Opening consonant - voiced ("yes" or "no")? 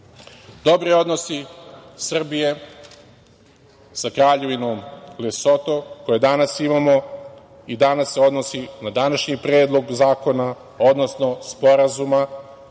yes